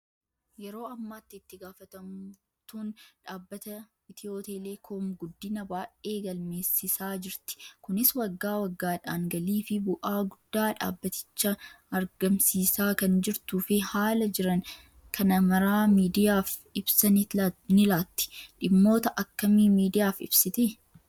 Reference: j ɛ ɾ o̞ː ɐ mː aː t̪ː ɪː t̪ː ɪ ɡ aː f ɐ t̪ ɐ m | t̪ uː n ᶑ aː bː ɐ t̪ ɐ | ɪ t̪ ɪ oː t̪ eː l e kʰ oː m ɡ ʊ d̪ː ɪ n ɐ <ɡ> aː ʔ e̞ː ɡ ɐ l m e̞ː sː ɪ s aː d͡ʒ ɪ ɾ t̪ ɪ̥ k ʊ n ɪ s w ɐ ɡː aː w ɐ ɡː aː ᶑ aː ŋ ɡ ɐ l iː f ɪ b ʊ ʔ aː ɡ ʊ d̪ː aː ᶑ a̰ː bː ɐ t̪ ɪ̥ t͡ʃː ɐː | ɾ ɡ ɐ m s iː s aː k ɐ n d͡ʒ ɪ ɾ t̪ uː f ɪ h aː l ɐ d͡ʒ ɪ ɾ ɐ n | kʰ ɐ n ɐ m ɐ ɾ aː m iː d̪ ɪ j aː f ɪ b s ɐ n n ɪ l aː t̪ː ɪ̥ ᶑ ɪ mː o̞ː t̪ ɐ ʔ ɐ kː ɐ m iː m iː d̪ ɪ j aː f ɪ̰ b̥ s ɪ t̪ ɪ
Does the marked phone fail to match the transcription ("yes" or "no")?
yes